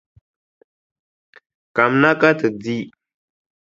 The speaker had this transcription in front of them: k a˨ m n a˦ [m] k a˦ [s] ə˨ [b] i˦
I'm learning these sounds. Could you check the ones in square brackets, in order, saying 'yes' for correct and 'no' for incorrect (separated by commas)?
no, no, no